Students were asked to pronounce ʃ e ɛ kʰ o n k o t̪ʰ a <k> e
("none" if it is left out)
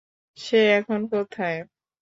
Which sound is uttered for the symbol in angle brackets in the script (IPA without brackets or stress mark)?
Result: none